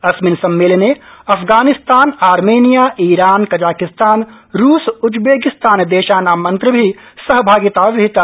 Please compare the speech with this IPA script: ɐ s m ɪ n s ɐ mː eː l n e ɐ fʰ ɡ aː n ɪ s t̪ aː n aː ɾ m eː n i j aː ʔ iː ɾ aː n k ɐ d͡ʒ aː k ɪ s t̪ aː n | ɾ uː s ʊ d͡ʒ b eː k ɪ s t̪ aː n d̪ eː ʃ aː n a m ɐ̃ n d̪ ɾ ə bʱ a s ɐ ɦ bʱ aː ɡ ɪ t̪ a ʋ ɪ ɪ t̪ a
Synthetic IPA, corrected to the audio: ɐ s m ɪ n s ɐ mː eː l n e ɐ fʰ ɡ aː n ɪ s t̪ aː n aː ɾ m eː n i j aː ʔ iː ɾ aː n k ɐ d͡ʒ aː k ɪ s t̪ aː n | ɾ uː s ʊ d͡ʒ b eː k ɪ s t̪ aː n d̪ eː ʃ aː n a m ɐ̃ n t̪ ɾ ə bʱ i s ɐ ɦ bʱ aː ɡ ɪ t̪ a ʋ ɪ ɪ t̪ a